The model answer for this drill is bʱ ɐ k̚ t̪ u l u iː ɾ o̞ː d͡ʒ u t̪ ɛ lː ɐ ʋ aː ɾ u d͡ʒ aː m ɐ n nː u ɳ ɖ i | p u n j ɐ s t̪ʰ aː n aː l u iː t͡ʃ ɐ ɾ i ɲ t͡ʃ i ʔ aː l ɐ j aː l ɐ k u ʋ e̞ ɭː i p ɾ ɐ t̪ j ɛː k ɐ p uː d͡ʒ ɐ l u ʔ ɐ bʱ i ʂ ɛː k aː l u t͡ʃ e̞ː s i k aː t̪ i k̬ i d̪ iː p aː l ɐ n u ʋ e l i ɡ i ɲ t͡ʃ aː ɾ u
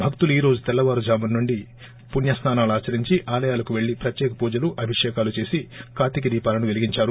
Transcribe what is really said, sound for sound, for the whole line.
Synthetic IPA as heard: bʱ ɐ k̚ t̪ u l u iː ɾ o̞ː d͡ʒ u t̪ ɛ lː ɐ ʋ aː ɾ u d͡ʒ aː m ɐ n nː u ɳ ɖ i | p u n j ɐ s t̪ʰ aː n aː l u aː t͡ʃ ɐ ɾ i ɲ t͡ʃ i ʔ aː l ɐ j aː l ɐ k u ʋ e̞ ɭː i p ɾ ɐ t̪ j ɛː k ɐ p uː d͡ʒ ɐ l u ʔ ɐ bʱ i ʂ ɛː k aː l u t͡ʃ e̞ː s i k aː t̪ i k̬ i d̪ iː p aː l ɐ n u ʋ e l i ɡ i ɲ t͡ʃ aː ɾ u